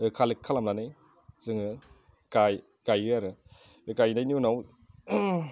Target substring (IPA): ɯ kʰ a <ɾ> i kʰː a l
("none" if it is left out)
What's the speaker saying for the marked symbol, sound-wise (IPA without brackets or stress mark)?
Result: l